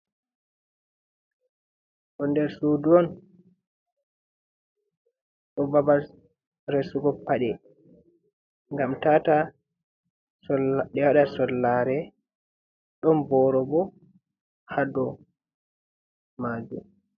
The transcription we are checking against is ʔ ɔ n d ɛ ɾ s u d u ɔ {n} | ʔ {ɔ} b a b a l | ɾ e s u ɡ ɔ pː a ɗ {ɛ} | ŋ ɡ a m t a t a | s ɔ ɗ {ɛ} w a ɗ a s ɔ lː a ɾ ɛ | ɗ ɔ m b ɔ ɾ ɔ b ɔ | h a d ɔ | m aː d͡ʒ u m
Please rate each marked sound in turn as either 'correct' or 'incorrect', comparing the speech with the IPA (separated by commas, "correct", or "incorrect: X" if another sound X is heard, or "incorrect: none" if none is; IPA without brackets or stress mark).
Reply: correct, correct, correct, correct